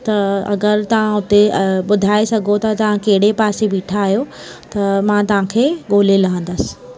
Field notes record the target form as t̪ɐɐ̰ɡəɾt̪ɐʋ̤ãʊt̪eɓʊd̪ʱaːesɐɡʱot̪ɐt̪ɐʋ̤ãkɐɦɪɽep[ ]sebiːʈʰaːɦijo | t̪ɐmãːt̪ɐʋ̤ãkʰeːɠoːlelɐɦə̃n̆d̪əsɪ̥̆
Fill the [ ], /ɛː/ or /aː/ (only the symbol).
aː